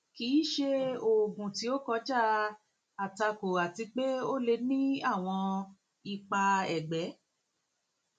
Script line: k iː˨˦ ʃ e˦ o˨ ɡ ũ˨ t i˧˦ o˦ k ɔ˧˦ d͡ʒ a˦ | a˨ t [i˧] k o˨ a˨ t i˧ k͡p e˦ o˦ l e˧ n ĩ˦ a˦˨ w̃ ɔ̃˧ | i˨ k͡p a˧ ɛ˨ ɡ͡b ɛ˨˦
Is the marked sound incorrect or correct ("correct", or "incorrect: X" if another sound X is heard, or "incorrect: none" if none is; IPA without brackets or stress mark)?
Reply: incorrect: a˧